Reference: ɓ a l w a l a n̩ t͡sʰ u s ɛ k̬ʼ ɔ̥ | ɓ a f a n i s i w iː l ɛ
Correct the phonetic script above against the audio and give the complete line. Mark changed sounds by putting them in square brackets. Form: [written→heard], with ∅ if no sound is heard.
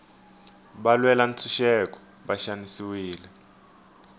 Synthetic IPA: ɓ a l w [a→ɛ] l a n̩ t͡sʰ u [s→ʃ] ɛ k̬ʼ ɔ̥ | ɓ a [f→ʃ] a n i s i w iː l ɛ